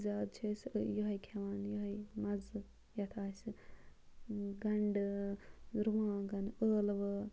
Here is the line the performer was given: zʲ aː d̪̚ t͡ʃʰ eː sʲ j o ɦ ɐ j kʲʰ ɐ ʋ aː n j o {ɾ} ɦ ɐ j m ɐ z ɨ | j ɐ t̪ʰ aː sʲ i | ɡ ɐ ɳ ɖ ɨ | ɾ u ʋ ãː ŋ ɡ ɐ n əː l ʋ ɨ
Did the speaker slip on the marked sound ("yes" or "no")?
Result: yes